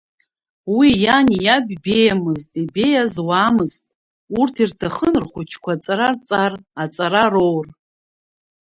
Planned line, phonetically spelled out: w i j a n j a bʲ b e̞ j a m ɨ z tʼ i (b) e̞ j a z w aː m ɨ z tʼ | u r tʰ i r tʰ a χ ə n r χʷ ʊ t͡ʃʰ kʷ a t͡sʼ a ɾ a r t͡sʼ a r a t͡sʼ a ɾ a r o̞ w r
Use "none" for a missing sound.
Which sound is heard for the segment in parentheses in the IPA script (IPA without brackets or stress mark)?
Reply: b